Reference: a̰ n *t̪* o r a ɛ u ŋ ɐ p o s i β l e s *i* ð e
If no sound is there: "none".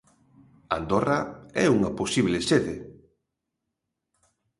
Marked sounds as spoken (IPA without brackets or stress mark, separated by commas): d̪, e